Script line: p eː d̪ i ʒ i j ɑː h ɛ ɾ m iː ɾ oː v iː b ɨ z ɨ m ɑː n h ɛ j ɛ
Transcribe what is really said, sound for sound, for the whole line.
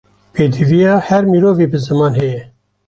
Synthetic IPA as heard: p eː d̪ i v i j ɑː h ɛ ɾ m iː ɾ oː v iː b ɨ z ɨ m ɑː n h ɛ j ɛ